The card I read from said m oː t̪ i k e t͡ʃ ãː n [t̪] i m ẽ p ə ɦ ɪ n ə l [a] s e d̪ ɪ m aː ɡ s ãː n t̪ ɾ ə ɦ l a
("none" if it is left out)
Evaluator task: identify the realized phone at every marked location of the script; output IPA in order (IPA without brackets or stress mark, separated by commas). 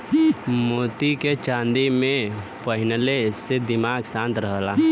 d̪, e